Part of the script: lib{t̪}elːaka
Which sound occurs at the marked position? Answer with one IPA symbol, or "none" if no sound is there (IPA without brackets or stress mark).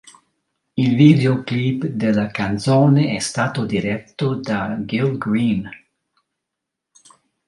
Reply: d̪